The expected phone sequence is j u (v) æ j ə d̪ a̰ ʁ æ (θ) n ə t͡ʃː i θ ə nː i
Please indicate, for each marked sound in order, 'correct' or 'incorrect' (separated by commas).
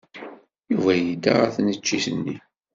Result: correct, correct